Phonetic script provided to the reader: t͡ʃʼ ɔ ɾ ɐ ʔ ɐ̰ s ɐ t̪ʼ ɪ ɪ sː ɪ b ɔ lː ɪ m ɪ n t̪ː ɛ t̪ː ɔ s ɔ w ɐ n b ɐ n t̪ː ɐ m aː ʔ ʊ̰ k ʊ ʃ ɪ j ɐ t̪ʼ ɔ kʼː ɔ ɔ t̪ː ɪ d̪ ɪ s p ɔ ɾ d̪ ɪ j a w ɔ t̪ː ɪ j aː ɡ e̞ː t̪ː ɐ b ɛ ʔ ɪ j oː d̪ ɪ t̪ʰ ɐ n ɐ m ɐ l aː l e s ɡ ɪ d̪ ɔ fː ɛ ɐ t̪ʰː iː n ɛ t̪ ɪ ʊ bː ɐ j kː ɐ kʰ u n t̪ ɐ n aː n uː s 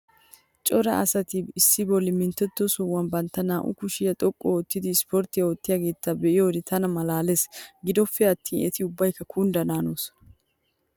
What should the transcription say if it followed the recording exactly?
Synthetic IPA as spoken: t͡ʃʼ ɔ ɾ ɐ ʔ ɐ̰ s ɐ t̪ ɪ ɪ sː ɪ b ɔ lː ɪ m ɪ n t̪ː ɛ t̪ː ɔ s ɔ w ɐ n b ɐ n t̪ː ɐ n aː ʔ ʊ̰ k ʊ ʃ ɪ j ɐ t̪ʼ ɔ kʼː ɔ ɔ t̪ː ɪ d̪ ɪ s p ɔ ɾ t̪ ɪ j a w ɔ t̪ː ɪ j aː ɡ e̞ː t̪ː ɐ b ɛ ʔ ɪ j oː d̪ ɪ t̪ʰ ɐ n ɐ m ɐ l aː l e s ɡ ɪ d̪ ɔ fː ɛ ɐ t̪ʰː iː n ɛ t̪ ɪ ʊ bː ɐ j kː ɐ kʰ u n d̪ ɐ n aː n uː s